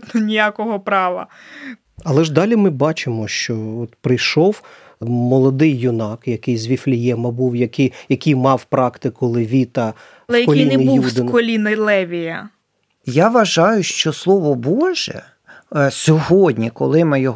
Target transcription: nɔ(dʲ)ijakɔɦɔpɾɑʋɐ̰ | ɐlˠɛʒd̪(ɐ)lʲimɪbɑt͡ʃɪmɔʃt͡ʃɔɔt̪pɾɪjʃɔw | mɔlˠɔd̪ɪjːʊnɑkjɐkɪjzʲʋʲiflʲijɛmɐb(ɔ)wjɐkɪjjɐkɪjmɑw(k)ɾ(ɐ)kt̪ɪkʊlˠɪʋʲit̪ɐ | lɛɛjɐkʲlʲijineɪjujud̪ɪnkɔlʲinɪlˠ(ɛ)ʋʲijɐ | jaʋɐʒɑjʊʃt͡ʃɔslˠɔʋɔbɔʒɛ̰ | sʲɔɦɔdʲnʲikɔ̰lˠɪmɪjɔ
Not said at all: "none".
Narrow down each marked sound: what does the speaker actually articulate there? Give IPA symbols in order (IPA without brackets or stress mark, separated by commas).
nʲ, ɑ, u, p, ɑ, ɛ